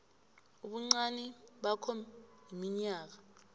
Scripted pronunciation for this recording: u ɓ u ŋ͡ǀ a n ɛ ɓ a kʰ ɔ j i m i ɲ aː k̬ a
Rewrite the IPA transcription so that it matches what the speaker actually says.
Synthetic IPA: u ɓ u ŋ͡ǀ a n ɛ ɓ a kʰ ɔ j i m i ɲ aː k̬ a